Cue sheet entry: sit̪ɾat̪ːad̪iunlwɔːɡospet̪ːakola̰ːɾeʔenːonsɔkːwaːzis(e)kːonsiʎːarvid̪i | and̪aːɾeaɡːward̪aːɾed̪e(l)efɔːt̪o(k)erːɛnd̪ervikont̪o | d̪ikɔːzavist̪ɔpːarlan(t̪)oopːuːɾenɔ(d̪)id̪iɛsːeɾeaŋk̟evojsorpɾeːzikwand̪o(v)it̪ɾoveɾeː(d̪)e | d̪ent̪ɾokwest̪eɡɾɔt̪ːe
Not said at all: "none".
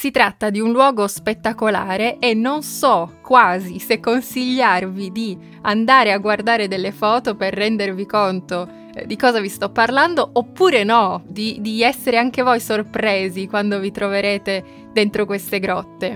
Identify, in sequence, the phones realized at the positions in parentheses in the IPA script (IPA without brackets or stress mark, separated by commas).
e, lː, p, d̪, d̪, v, t̪